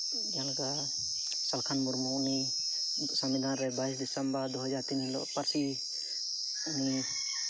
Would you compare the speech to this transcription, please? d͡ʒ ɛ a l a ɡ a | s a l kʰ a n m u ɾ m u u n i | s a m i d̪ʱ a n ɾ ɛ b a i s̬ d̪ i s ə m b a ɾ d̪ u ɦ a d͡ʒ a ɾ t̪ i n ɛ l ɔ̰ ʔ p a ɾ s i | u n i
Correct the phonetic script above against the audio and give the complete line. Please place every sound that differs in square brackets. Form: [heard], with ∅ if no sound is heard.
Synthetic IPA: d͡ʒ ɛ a l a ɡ a | s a l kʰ a n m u ɾ m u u n i | s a m i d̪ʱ a n ɾ ɛ b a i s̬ d̪ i s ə m b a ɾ d̪ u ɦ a d͡ʒ a ɾ t̪ i n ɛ l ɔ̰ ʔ p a ɾ s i | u n i